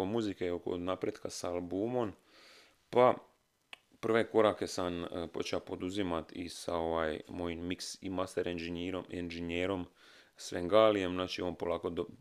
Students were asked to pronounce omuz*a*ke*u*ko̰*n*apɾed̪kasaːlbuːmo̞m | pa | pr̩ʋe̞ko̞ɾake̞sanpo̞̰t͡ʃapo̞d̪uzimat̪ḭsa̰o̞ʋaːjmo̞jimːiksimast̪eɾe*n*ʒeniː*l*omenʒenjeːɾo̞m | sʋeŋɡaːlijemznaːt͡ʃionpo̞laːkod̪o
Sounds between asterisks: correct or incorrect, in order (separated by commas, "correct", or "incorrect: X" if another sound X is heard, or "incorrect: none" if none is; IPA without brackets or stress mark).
incorrect: i, incorrect: o, correct, correct, incorrect: ɾ